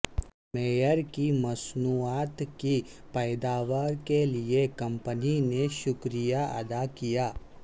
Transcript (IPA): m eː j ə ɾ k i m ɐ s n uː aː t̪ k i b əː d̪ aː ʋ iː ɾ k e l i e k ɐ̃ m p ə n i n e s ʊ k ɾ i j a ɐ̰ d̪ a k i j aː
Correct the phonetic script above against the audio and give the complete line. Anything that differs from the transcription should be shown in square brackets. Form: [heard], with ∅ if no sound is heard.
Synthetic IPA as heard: m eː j ə ɾ k i m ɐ s n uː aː t̪ k i [p] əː d̪ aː ʋ [aː] ɾ k e l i e k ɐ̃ m p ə n i n e [ʃ] ʊ k ɾ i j a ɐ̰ d̪ a k i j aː